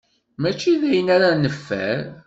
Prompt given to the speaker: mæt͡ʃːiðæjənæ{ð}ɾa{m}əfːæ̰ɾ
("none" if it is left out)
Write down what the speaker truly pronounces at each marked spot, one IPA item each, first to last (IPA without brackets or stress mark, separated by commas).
none, n